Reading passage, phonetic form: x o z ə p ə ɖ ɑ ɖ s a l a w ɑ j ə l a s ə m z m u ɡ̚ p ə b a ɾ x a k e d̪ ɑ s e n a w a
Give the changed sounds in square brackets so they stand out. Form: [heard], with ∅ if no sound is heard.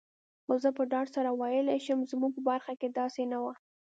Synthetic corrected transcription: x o z ə p ə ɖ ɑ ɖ s a [ɾ] a w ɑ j ə l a [ʃ] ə m z m u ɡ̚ p ə b a ɾ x a k e d̪ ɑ s e n a w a